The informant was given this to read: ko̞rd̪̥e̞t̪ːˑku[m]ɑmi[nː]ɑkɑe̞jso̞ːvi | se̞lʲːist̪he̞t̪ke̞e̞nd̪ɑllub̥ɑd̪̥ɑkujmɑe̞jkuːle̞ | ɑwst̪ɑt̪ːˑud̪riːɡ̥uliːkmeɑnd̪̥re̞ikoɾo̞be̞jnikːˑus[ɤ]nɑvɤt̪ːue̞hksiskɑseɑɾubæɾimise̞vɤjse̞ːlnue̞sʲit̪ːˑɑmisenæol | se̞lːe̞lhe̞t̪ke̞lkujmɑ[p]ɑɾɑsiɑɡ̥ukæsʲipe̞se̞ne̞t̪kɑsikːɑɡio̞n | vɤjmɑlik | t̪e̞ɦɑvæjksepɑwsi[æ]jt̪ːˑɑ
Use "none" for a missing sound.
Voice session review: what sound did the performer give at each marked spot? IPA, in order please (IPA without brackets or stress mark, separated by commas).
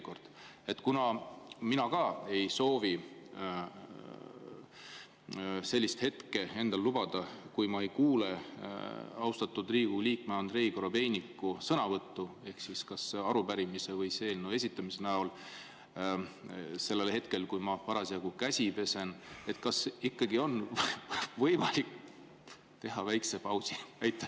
n, n, ɤ, p, æ